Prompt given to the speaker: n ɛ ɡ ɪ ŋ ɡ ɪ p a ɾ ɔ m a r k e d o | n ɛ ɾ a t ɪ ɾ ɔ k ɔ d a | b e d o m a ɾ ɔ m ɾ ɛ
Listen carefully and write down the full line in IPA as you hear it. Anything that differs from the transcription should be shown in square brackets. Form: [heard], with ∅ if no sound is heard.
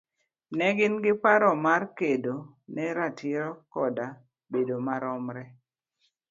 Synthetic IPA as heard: n ɛ ɡ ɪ [n] ɡ ɪ p a ɾ ɔ m a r k e d o | n ɛ ɾ a t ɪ ɾ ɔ k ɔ d a | b e d o m a ɾ ɔ m ɾ ɛ